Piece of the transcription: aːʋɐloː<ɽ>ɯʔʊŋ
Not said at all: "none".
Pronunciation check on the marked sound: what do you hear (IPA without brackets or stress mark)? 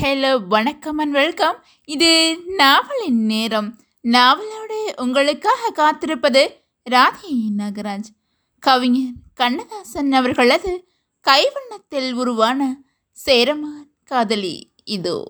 ɽ